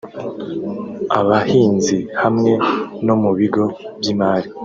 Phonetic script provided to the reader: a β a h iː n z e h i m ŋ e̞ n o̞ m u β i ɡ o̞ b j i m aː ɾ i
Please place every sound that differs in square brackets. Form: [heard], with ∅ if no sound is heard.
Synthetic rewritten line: a β a h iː n z [i] h [a] m ŋ e̞ n o̞ m u β i ɡ o̞ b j i m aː ɾ i